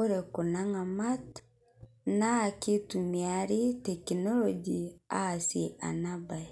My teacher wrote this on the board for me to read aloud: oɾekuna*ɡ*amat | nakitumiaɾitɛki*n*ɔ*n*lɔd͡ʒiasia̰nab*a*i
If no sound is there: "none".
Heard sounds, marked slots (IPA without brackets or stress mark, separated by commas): ŋ, n, none, a